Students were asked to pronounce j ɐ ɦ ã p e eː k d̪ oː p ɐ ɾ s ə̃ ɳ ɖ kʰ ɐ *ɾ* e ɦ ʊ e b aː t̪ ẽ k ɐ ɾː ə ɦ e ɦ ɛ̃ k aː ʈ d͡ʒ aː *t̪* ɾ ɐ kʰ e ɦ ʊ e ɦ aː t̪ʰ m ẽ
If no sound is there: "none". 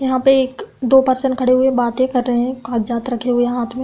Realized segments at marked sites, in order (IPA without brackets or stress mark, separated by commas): ɽ, t̪